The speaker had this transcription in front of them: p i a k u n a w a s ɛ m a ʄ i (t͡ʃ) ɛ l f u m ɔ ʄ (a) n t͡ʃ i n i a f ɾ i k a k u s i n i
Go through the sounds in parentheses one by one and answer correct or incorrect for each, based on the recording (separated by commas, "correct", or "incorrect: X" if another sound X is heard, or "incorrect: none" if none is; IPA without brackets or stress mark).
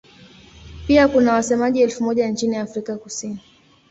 incorrect: none, correct